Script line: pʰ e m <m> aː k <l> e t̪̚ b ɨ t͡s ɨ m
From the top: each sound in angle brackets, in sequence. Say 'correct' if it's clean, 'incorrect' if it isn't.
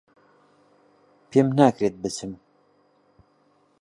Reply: incorrect: n, incorrect: ɾ

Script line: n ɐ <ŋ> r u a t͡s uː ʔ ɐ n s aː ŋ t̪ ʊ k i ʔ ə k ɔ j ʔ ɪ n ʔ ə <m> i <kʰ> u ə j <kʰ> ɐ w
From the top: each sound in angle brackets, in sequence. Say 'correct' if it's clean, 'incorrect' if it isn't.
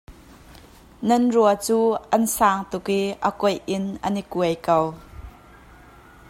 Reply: incorrect: n, incorrect: n, incorrect: k, incorrect: k

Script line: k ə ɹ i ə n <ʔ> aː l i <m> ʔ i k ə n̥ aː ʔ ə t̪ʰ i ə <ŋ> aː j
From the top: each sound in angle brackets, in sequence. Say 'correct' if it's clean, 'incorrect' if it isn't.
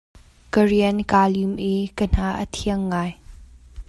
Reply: incorrect: k, correct, incorrect: ŋː

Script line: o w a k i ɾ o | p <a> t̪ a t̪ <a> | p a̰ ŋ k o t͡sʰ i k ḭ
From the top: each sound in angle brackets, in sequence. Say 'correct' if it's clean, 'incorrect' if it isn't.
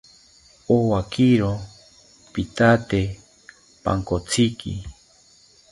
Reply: incorrect: i, incorrect: e

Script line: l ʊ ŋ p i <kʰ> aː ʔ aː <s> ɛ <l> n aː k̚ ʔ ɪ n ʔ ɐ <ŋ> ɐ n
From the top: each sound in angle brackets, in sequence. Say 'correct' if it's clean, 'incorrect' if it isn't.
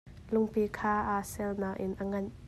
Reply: correct, correct, correct, correct

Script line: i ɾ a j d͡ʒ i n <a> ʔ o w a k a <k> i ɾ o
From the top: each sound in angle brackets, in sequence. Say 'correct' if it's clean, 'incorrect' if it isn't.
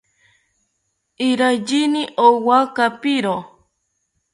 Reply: incorrect: i, incorrect: p

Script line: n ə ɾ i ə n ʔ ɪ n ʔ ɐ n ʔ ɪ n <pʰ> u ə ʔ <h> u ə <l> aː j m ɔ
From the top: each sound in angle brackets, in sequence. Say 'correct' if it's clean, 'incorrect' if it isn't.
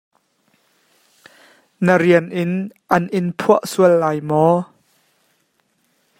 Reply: correct, incorrect: s, incorrect: lː

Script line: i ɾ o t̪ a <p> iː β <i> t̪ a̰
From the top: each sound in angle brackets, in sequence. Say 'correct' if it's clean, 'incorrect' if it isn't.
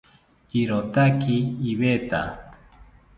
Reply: incorrect: k, incorrect: e

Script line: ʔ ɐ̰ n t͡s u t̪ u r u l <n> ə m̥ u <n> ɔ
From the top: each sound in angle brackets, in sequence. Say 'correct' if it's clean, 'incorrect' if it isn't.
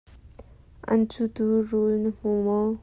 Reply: correct, incorrect: m

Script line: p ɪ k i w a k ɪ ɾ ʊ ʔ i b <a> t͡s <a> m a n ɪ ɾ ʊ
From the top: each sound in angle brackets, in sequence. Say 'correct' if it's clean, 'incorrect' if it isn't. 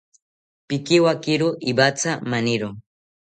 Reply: correct, correct

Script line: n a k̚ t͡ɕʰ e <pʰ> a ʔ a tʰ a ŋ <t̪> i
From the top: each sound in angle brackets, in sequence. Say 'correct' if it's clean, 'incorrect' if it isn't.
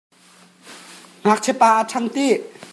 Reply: incorrect: p, correct

